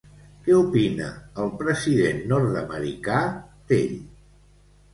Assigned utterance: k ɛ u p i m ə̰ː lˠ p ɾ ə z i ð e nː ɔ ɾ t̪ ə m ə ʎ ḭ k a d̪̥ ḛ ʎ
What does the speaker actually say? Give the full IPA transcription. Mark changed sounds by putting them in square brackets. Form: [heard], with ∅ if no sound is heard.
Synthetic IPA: k ɛ u p i [n] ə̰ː lˠ p ɾ ə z i ð e nː ɔ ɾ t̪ ə m ə [ɾ] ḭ k a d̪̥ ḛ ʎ